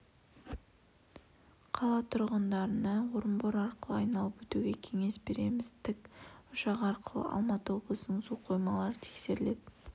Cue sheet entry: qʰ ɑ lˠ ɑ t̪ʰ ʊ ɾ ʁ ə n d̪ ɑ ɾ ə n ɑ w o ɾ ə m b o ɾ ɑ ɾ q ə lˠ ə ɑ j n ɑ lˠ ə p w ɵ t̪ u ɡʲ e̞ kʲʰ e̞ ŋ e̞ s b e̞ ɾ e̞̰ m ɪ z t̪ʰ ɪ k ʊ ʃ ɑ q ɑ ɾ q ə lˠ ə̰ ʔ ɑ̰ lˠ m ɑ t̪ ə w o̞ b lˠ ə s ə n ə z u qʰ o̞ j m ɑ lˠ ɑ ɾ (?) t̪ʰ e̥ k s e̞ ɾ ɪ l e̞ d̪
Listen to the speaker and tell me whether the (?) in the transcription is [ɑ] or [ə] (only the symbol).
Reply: ə